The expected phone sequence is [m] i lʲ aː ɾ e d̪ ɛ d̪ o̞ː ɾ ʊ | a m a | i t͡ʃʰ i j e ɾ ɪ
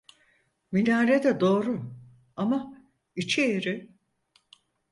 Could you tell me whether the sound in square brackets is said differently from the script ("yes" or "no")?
no